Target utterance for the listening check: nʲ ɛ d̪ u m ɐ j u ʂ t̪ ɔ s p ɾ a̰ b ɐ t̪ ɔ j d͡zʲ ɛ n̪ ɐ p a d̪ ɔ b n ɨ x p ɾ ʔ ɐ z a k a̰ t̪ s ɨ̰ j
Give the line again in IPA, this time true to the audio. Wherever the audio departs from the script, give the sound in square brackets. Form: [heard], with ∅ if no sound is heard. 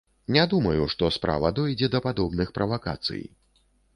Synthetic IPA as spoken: nʲ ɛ d̪ u m ɐ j u ʂ t̪ ɔ s p ɾ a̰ [v] ɐ [d̪] ɔ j d͡zʲ ɛ [d̪] ɐ p a d̪ ɔ b n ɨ x p ɾ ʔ ɐ [v] a k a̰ t̪ s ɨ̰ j